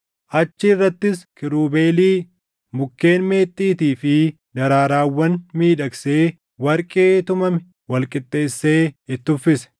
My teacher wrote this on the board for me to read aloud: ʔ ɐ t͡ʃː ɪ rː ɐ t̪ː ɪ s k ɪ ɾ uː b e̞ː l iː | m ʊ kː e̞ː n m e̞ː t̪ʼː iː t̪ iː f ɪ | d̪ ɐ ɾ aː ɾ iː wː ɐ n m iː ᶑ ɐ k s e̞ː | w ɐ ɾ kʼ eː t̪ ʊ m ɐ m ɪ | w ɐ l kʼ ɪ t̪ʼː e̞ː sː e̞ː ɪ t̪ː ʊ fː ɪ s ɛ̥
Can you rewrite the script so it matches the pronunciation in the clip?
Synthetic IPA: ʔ ɐ t͡ʃː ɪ rː ɐ t̪ː ɪ s k ɪ ɾ uː b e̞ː l iː | m ʊ kː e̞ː n m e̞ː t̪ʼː iː t̪ iː f ɪ | d̪ ɐ ɾ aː ɾ aː wː ɐ n m iː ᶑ ɐ k s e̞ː | w ɐ ɾ kʼ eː t̪ ʊ m ɐ m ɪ | w ɐ l kʼ ɪ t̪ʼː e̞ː sː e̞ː ɪ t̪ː ʊ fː ɪ s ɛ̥